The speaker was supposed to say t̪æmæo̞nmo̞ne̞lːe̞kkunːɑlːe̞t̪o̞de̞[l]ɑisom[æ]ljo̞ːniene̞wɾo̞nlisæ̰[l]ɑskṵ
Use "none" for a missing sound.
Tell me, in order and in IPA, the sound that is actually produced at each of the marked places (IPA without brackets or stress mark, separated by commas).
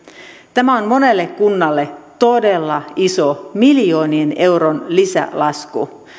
lː, i, l